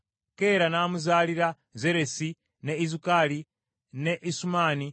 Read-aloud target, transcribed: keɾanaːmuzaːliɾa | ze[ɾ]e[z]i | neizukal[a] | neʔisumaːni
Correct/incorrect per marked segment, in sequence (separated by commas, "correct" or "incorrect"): correct, incorrect, incorrect